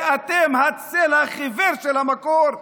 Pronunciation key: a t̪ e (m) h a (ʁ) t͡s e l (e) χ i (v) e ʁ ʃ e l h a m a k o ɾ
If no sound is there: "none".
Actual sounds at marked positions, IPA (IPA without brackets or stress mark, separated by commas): m, none, a, v